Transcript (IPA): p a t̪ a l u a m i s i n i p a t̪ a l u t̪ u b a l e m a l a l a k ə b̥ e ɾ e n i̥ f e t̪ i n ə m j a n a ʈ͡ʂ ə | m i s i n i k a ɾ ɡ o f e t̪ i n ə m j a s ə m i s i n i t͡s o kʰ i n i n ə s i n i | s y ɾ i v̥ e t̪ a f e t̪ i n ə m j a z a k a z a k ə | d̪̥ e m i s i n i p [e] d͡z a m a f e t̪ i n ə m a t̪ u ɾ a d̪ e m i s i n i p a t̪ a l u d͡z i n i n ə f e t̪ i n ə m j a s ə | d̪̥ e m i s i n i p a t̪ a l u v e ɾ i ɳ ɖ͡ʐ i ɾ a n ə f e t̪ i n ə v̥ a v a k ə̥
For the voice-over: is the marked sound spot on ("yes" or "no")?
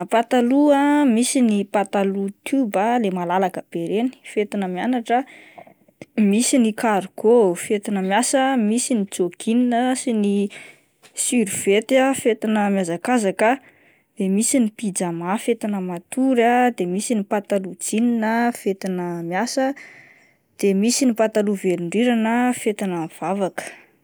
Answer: no